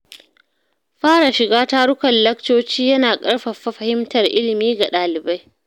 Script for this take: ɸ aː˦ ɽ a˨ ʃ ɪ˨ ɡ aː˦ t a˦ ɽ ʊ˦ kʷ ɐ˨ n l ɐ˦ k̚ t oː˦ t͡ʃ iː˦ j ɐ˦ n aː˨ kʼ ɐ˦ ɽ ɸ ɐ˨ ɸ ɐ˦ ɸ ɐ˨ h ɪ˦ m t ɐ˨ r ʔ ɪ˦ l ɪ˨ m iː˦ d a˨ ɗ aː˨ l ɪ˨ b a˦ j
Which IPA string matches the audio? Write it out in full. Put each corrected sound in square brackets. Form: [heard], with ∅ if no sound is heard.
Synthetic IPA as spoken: ɸ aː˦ ɽ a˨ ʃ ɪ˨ ɡ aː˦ t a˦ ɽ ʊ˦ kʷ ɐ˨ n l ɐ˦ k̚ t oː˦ t͡ʃ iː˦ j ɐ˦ n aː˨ kʼ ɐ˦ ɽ ɸ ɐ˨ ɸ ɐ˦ ɸ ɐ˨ h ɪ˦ m t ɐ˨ r ʔ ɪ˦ l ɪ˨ m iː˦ [ɡ] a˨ ɗ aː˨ l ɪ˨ b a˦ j